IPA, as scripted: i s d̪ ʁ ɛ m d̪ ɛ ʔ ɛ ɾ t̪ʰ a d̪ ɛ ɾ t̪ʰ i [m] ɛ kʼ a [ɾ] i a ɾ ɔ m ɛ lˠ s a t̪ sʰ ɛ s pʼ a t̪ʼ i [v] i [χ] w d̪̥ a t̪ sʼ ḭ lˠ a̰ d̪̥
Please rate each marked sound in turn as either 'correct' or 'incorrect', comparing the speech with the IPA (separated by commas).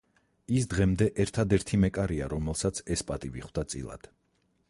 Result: correct, correct, correct, correct